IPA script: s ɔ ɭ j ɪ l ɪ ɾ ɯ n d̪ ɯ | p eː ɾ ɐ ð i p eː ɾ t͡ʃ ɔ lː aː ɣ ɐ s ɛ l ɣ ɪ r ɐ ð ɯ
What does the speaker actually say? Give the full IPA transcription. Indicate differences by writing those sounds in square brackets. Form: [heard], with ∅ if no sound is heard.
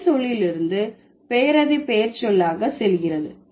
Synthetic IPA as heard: s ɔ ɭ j ɪ l ɪ ɾ ɯ n d̪ ɯ | p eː ɾ ɐ ð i p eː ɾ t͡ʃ ɔ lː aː ɣ ɐ s ɛ l ɣ ɪ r ɐ ð ɯ